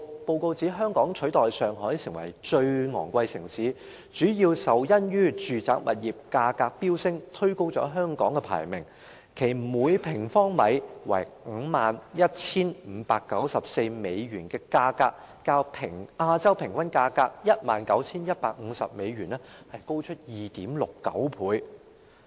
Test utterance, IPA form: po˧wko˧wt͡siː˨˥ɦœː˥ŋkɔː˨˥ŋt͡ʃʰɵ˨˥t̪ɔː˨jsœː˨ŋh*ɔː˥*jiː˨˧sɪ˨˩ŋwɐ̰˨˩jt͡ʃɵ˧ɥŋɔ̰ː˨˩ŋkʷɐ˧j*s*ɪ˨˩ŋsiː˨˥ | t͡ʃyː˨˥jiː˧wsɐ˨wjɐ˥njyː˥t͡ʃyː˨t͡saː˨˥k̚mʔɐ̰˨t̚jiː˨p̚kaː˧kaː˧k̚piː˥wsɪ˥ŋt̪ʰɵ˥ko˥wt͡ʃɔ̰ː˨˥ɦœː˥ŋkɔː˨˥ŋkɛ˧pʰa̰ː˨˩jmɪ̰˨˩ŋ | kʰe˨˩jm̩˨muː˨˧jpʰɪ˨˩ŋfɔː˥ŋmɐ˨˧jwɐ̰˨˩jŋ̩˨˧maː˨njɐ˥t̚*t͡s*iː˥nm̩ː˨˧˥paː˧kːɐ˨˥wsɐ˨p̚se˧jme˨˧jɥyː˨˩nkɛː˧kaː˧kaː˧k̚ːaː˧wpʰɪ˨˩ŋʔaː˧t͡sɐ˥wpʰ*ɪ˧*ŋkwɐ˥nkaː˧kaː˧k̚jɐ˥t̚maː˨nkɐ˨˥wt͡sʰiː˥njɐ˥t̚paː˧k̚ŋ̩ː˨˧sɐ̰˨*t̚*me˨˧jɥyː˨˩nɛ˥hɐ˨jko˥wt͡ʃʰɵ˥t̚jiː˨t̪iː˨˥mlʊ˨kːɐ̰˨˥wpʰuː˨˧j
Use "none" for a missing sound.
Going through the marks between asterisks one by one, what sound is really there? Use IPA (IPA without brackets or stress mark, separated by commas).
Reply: ɔː˨˥, s, t͡sʰ, ɪ˨˩, p̚